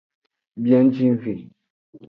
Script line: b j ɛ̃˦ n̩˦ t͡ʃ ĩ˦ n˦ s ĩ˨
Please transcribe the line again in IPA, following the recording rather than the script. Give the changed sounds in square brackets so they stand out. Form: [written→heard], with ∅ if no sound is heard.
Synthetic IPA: b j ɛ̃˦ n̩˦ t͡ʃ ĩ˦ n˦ [s→f] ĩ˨